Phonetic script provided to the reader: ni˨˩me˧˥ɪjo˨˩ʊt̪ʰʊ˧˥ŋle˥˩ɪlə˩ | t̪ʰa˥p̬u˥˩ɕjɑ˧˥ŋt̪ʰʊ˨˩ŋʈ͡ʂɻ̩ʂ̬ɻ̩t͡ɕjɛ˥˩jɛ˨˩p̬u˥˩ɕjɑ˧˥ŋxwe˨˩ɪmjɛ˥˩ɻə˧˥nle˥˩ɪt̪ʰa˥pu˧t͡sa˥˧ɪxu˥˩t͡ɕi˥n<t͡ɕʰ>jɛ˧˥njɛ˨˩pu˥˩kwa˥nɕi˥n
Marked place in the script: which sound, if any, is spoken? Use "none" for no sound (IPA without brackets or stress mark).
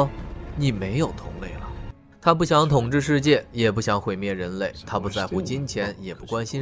t͡ɕʰ